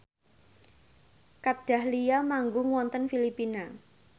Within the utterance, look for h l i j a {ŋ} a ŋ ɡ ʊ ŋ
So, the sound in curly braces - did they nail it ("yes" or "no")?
no